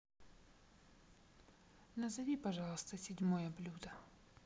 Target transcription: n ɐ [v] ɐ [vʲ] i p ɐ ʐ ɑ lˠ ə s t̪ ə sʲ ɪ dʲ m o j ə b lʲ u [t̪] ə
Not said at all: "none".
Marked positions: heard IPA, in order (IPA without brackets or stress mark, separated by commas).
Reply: z, vʲ, d̪